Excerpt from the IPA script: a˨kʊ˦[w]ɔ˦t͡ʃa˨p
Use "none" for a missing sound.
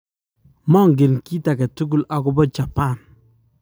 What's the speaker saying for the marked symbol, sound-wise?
b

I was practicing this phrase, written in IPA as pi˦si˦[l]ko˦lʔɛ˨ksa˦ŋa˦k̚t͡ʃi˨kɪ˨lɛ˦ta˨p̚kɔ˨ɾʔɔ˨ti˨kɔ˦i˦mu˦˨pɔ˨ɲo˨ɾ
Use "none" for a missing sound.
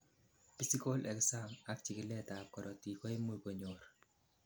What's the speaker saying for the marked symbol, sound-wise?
none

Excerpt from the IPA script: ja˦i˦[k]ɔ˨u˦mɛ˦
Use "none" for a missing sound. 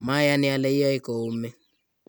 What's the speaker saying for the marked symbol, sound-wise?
k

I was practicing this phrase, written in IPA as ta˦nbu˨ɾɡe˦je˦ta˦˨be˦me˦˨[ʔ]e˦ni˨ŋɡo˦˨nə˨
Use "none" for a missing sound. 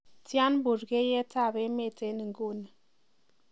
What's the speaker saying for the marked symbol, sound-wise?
t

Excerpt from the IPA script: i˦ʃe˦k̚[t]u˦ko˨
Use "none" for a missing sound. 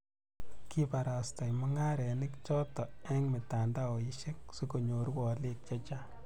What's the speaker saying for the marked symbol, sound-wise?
s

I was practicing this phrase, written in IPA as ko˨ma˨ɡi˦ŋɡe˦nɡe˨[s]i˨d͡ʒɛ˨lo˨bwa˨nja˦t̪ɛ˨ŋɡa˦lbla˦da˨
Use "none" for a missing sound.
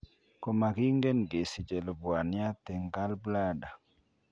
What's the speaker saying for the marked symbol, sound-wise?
s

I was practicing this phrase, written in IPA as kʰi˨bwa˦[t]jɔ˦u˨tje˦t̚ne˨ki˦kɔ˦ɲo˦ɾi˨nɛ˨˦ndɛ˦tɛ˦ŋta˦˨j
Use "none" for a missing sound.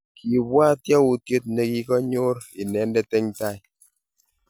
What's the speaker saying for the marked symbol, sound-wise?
t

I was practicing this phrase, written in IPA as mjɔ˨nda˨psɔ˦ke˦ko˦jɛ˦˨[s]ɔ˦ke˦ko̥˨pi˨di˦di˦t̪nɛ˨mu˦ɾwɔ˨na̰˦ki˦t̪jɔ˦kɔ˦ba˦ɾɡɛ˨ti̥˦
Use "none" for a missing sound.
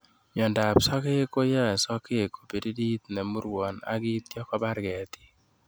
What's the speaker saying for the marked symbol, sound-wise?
s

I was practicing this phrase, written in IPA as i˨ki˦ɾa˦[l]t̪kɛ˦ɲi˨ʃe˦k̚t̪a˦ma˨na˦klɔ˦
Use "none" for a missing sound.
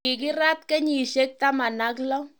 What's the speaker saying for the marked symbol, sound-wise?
none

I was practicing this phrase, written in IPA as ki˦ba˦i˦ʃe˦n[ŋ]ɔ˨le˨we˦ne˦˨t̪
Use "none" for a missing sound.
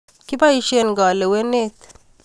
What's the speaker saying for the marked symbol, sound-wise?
ɡ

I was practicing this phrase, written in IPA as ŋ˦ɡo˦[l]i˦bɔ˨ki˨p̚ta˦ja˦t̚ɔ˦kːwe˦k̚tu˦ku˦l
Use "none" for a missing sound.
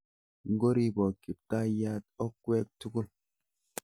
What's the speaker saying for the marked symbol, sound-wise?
ɾ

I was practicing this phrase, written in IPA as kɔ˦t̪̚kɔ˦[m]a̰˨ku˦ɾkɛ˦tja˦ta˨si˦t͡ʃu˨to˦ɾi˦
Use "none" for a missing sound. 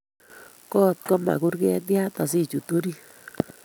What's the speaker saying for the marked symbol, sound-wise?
m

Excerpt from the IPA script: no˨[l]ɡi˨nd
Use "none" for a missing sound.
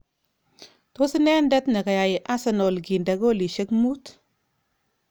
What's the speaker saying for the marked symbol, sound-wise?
l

